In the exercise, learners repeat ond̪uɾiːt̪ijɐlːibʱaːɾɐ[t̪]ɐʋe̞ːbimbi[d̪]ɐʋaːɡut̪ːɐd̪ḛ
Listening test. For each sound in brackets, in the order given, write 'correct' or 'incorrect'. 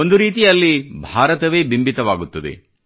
correct, incorrect: t̪

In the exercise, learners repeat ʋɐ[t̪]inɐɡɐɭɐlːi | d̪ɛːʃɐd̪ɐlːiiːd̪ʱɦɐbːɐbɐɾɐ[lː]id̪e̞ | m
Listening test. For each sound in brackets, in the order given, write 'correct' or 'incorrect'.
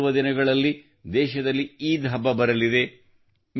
incorrect: d̪, incorrect: l

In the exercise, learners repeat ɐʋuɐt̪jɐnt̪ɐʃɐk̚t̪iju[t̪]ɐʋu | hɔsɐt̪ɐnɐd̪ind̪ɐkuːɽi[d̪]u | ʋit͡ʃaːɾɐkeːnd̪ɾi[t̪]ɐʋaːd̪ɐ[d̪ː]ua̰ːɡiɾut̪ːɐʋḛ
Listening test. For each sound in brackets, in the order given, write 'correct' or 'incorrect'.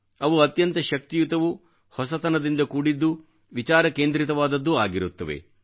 correct, incorrect: d̪ː, correct, correct

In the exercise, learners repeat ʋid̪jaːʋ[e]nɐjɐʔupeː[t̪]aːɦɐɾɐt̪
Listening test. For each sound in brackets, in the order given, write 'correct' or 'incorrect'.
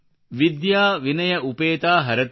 incorrect: i, correct

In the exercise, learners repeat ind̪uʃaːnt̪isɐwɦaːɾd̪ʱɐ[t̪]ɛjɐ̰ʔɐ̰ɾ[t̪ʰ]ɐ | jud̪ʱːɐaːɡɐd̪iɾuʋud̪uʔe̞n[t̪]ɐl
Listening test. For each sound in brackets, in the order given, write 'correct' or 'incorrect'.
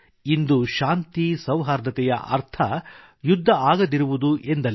correct, correct, incorrect: d̪

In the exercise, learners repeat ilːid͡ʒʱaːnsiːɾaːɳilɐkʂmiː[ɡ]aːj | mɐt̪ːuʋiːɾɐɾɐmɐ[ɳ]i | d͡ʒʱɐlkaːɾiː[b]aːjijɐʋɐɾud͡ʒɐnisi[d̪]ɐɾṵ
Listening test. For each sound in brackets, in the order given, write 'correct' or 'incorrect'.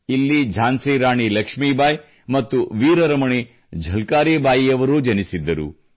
incorrect: b, correct, correct, incorrect: d̪ː

